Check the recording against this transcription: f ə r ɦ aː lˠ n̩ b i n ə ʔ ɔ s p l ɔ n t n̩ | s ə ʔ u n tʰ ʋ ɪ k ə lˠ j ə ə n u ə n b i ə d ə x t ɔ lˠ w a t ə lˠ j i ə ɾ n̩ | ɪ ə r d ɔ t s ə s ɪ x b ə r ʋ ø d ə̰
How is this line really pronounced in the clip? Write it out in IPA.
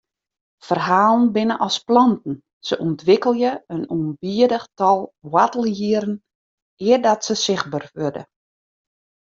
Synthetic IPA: f ə r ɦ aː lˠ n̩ b ɪ n ə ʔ ɔ s p l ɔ n t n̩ | s ə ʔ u n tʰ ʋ ɪ k ə lˠ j ə ə n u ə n b i ə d ə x t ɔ lˠ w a t ə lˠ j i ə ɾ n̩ | ɪ ə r d ɔ t s ə s ɪ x b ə r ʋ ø d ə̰